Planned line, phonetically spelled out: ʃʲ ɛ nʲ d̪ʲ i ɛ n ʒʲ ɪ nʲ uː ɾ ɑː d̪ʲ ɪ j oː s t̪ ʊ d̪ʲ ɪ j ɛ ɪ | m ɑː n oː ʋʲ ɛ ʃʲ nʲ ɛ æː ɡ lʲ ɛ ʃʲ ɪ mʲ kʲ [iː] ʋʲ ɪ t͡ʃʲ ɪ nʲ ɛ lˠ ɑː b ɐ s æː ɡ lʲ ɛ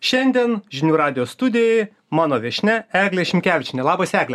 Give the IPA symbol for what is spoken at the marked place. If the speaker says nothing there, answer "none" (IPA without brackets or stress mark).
æː